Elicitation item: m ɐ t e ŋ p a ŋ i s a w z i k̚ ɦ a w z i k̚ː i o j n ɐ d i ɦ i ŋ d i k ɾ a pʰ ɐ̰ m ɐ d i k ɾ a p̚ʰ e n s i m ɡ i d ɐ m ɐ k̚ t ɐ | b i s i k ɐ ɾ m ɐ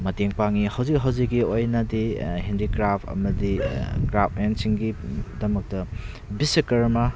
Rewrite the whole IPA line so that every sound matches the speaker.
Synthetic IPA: m ɐ t e ŋ p a ŋ i h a w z i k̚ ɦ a w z i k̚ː i o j n ɐ d i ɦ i n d i k ɾ a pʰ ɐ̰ m ɐ d i k ɾ a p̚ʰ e n s i ŋ ɡ i d ɐ m ɐ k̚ t ɐ | b i s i k ɐ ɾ m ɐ